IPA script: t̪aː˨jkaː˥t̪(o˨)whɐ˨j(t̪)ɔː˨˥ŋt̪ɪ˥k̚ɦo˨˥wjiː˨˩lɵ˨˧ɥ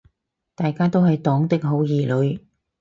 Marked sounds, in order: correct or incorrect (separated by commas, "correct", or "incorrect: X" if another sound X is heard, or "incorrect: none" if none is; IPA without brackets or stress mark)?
incorrect: o˥, correct